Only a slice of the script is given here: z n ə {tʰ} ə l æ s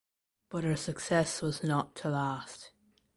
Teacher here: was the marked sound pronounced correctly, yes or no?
yes